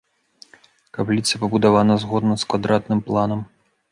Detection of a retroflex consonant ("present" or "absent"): absent